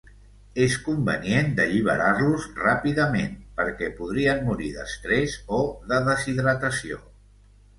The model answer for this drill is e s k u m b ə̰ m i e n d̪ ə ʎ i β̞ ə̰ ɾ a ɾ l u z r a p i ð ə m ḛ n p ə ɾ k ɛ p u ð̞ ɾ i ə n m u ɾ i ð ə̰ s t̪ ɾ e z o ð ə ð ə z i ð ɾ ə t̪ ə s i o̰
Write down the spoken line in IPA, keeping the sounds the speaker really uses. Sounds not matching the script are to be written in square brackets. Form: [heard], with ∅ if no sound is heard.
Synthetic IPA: e s k u m b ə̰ [n] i e n d̪ ə ʎ i β̞ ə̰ ɾ a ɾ l u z r a p i ð ə m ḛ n p ə ɾ k ɛ p u ð̞ ɾ i ə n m u ɾ i ð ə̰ s t̪ ɾ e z o ð ə ð ə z i ð ɾ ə t̪ ə s i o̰